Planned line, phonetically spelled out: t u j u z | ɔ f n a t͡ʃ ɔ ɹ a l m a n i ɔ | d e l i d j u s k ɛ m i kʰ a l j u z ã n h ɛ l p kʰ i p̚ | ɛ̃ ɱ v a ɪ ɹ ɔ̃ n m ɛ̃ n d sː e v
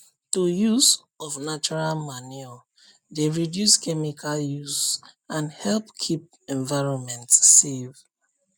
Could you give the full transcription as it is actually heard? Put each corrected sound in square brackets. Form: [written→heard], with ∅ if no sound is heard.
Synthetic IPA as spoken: t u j u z | ɔ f n a t͡ʃ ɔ ɹ a l m a n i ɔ | d e [l→ɹ] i d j u s k ɛ m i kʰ a l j u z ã n h ɛ l p kʰ i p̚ | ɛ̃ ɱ v a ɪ ɹ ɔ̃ n m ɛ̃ n [d→t] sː e v